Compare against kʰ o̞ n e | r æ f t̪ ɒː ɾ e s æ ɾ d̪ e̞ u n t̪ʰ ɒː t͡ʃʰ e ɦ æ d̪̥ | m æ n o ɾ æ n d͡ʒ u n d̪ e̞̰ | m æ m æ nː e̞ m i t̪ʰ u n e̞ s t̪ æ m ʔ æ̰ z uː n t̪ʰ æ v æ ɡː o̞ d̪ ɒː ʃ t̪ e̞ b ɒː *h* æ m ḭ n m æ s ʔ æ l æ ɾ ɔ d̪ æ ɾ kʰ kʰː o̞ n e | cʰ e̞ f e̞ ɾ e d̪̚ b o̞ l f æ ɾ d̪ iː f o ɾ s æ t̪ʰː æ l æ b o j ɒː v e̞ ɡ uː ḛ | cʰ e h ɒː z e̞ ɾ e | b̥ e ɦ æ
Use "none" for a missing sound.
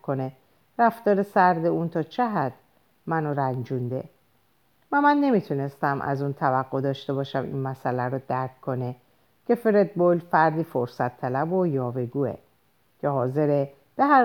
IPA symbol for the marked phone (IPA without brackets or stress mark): ʃ